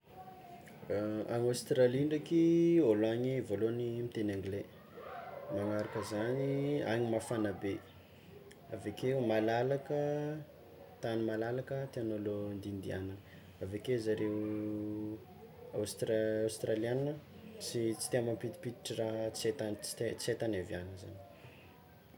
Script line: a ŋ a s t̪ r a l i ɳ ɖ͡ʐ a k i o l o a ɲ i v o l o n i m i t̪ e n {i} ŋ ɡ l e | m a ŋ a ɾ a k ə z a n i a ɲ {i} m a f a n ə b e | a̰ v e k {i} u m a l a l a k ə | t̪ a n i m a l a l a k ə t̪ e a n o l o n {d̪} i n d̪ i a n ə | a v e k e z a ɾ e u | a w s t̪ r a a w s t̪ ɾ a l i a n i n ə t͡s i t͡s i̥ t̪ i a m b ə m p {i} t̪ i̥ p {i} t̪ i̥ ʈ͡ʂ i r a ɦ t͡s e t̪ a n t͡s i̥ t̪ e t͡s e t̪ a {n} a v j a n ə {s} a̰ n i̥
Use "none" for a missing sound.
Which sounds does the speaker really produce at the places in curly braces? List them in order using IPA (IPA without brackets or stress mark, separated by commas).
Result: a, i, e, d̪, i, i, n, z